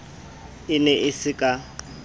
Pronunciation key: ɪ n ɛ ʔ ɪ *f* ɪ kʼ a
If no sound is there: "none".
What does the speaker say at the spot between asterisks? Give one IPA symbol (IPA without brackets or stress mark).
s